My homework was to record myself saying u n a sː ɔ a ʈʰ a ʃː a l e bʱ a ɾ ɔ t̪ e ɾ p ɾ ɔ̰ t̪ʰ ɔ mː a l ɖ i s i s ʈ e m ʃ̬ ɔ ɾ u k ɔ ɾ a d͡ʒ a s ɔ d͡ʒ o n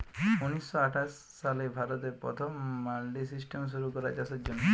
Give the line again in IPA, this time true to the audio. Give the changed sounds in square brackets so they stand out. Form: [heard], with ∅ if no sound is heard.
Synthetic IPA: u n [i] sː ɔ a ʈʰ a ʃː a l e bʱ a ɾ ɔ t̪ e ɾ p ɾ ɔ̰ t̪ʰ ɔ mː a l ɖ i s i s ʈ e m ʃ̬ [u] ɾ u k ɔ ɾ a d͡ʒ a s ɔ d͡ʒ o n